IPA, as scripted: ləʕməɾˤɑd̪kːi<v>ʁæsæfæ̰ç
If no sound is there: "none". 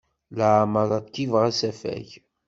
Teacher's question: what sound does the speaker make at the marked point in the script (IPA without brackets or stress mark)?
v